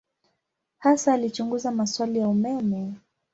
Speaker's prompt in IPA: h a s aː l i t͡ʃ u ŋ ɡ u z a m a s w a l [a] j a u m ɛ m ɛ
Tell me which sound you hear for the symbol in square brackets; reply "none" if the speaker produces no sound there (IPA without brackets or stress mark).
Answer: i